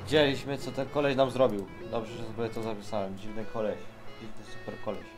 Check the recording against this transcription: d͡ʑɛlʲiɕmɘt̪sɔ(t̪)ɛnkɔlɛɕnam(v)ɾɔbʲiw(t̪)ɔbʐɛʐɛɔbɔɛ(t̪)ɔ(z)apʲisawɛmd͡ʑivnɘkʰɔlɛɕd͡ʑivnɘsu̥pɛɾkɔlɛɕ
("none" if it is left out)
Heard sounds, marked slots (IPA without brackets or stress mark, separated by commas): t̪, z, d̪, t̪, z